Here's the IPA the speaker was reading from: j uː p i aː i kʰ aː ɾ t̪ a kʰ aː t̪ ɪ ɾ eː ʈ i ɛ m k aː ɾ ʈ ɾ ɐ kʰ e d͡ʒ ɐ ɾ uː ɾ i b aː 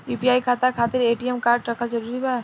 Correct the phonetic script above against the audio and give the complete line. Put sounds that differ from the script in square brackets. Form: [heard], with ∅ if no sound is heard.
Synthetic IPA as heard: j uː p i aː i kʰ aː [∅] t̪ a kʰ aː t̪ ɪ ɾ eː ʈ i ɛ m k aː ɾ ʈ ɾ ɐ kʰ [a] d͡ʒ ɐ ɾ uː ɾ i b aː

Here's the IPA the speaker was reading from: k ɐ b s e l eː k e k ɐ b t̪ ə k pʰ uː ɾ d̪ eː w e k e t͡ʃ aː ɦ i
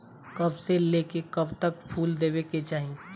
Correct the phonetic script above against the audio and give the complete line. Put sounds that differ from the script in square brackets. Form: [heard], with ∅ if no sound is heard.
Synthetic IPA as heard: k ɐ b s e l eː k e k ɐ b t̪ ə k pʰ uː [l] d̪ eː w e k e t͡ʃ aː ɦ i

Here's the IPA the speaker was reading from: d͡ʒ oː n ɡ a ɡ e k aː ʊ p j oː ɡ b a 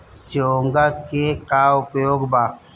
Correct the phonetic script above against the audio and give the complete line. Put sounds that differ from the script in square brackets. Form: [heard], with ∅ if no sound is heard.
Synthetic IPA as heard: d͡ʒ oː [ŋ] ɡ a [k] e k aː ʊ p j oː ɡ b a

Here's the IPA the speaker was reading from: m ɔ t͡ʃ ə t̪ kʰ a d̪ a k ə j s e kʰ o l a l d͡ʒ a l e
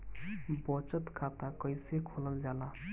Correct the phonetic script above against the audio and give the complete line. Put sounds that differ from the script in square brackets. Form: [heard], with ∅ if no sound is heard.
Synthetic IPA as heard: [b] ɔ t͡ʃ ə t̪ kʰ a [t̪] a k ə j s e kʰ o l [ə] l d͡ʒ a l [a]

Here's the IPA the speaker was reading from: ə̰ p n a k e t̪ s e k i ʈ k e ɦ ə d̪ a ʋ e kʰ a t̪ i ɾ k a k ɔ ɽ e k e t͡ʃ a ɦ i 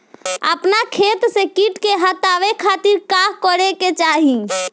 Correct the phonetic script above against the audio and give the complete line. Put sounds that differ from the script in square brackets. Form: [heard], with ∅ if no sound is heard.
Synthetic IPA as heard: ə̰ p n a [kʰ] e t̪ s e k i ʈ k e ɦ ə [t̪] a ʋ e kʰ a t̪ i ɾ k a k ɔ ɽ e k e t͡ʃ a ɦ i

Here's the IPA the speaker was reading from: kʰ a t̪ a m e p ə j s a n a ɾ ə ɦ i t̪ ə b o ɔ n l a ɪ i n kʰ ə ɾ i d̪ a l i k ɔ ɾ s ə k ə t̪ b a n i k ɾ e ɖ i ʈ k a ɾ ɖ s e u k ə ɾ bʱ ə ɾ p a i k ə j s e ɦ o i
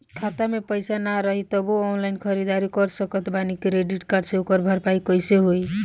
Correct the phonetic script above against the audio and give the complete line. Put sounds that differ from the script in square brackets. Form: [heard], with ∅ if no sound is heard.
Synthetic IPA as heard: kʰ a t̪ a m e p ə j s a n a ɾ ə ɦ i t̪ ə b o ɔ n l a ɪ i n kʰ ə ɾ i d̪ a [ɾ] i k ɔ ɾ s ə k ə t̪ b a n i k ɾ e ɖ i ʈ k a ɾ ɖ s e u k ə ɾ bʱ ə ɾ p a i k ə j s e ɦ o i

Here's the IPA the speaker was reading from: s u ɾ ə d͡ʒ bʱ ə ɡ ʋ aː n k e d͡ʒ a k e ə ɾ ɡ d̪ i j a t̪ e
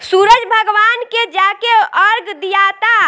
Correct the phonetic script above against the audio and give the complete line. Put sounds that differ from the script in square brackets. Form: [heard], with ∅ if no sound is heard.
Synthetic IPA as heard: s u ɾ ə d͡ʒ bʱ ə ɡ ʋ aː n k e d͡ʒ a k e ə ɾ ɡ d̪ i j a t̪ [a]

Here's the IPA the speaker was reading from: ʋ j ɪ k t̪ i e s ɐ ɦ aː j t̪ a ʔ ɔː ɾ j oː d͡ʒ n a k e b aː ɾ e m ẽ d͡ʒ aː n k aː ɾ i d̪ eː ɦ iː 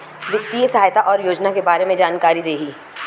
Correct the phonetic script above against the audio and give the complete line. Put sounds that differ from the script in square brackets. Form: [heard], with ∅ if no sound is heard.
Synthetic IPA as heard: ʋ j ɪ k t̪ i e s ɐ ɦ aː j t̪ a ʔ ɔː ɾ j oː d͡ʒ n a k e b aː ɾ e m ẽ d͡ʒ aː n k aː ɾ i d̪ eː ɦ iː

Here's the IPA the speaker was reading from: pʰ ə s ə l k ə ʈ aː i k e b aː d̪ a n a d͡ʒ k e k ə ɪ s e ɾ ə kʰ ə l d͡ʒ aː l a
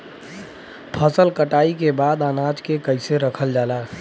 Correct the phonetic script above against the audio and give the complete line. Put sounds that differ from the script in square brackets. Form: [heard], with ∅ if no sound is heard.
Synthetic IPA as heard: pʰ ə s ə l k ə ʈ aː i k e b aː d̪ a n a d͡ʒ k e k ə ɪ s e ɾ ə kʰ ə l d͡ʒ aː l a

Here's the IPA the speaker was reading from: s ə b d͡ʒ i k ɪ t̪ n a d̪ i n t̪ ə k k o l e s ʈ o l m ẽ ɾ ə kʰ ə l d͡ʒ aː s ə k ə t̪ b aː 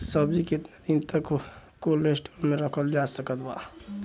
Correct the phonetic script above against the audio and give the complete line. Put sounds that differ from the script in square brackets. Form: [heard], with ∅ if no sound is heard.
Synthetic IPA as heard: s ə b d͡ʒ i k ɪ t̪ n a d̪ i n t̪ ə k k o l e s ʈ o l m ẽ ɾ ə kʰ ə l d͡ʒ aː s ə k ə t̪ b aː

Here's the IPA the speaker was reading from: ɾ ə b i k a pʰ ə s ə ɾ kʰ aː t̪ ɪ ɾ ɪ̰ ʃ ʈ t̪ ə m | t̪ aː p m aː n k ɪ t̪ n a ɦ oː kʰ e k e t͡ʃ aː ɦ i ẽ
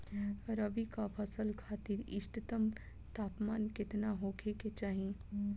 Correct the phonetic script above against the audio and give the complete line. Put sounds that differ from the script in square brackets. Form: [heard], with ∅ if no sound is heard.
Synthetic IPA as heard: ɾ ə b i k a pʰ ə s ə [l] kʰ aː t̪ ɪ ɾ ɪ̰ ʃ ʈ t̪ ə m | t̪ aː p m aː n k ɪ t̪ n a ɦ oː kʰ e k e t͡ʃ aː ɦ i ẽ

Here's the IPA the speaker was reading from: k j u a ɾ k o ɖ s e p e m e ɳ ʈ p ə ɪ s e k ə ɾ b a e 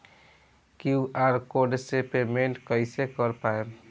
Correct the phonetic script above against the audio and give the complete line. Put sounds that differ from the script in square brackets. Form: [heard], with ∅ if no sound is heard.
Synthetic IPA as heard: k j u a ɾ k o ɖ s e p e m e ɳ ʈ [k] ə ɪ s e k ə ɾ [p] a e

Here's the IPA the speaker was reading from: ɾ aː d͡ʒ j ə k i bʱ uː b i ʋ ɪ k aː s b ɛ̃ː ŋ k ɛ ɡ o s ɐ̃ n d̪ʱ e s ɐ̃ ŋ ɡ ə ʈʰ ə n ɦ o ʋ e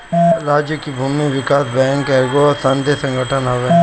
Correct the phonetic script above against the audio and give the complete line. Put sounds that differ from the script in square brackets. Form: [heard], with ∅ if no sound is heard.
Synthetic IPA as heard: ɾ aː d͡ʒ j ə k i bʱ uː [m] i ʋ ɪ k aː s b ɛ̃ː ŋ k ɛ ɡ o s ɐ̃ n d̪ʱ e s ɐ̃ ŋ ɡ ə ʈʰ ə n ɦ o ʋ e

